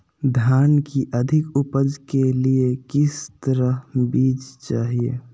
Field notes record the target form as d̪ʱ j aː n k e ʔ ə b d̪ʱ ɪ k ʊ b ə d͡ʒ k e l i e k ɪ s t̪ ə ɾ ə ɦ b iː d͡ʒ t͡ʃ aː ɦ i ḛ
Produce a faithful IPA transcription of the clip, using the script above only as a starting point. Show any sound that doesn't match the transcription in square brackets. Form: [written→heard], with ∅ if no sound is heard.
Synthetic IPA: d̪ʱ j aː n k [e→i] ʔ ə [b→∅] d̪ʱ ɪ k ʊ [b→p] ə d͡ʒ k e l i e k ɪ s t̪ ə ɾ ə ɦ b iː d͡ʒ t͡ʃ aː ɦ i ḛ